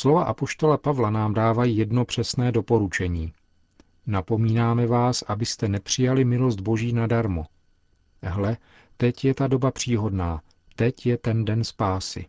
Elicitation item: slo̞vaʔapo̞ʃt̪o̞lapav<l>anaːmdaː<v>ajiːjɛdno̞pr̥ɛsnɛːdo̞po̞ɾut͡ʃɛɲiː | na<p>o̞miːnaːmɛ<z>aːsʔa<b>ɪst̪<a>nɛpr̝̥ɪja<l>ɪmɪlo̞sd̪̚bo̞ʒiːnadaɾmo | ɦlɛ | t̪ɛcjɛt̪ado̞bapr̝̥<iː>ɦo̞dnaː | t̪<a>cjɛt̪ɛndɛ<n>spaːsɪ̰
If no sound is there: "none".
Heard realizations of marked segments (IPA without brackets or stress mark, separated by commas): l, v, p, v, b, ɛ, l, iː, ɛ, n